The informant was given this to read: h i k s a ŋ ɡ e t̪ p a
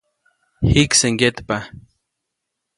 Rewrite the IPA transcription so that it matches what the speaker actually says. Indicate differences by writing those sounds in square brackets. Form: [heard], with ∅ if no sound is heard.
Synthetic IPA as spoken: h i k s [e] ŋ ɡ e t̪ p a

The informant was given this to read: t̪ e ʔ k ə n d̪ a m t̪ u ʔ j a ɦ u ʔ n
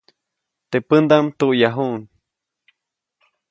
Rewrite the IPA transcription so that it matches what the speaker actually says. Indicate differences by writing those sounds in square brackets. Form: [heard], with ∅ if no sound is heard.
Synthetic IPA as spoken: t̪ e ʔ [p] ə n d̪ a m t̪ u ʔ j a ɦ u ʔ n

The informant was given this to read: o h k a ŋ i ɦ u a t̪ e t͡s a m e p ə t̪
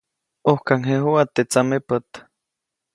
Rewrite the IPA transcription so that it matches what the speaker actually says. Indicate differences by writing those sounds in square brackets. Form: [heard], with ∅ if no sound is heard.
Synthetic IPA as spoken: o h k a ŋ [e] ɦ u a t̪ e t͡s a m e p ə t̪

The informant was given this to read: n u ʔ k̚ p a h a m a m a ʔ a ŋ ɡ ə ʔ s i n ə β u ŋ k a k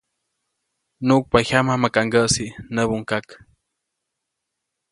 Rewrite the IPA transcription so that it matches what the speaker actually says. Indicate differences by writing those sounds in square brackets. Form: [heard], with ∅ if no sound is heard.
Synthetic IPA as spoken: n u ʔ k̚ p a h a m a m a [k] a ŋ ɡ ə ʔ s i n ə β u ŋ k a k

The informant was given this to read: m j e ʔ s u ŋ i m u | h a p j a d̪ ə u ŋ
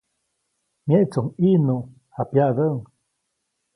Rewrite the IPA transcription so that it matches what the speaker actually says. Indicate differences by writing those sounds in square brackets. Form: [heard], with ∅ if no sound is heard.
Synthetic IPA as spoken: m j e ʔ [t͡s] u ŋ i [n] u | h a p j a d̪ ə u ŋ

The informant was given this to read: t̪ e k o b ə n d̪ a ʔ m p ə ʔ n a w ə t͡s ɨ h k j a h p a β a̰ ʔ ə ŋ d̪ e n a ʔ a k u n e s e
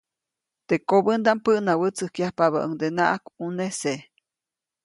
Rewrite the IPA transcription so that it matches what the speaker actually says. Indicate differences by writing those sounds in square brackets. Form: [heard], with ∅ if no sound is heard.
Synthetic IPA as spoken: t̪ e k o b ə n d̪ a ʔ m p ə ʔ n a w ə t͡s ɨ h k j a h p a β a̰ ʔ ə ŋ d̪ e n a ʔ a k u n e s e

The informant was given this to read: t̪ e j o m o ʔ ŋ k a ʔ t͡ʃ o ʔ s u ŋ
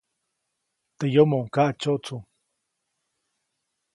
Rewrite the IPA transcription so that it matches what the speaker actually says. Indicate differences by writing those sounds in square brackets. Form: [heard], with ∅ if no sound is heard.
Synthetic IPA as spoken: t̪ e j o m o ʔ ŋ k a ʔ t͡ʃ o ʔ [t͡s] u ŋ

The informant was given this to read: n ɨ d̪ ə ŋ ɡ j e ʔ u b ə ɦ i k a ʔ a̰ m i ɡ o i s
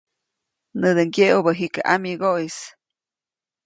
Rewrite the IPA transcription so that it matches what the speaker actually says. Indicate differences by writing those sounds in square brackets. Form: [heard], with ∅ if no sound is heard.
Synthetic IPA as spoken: n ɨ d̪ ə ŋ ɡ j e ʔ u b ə ɦ i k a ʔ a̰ m i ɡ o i s

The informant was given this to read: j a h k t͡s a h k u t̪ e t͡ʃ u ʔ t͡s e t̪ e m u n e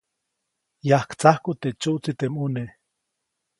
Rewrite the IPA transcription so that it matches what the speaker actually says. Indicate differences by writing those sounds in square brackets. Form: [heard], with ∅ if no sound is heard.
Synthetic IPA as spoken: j a h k t͡s a h k u t̪ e t͡ʃ u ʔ t͡s [i] t̪ e m u n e

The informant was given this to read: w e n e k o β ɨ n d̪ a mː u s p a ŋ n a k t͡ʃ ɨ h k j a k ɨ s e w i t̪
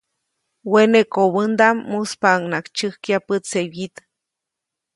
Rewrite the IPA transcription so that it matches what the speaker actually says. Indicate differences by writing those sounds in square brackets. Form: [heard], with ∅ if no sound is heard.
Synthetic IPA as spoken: w e n e k o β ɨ n d̪ a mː u s p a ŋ n a k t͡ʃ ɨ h k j a [p] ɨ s e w i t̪

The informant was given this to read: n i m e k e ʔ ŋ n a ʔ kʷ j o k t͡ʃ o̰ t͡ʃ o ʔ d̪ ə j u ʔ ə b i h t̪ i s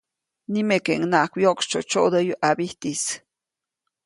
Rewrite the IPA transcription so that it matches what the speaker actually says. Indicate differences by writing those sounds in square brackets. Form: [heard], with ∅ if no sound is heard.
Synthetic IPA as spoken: n i m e k e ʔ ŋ n a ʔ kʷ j o k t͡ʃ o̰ t͡ʃ o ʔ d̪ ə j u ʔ [a] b i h t̪ i s

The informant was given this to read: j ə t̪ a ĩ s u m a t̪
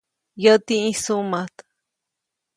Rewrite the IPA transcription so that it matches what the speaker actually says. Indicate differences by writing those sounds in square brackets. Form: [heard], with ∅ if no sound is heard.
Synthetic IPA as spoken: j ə t̪ [i] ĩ s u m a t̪

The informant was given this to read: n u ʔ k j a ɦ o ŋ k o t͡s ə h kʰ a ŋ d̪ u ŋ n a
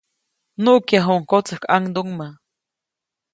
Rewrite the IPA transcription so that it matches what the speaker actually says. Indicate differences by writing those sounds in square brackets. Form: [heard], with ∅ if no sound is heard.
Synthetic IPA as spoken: n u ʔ k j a ɦ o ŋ k o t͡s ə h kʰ a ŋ d̪ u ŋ [m] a

